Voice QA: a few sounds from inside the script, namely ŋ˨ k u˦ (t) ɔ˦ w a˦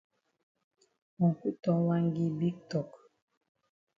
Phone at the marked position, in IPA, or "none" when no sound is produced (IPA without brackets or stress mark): t